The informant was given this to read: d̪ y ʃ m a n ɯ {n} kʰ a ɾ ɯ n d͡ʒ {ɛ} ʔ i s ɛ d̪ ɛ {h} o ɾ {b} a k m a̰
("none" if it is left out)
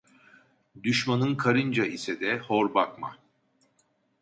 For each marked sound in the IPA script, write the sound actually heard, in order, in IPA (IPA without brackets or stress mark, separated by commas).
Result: n, a, h, b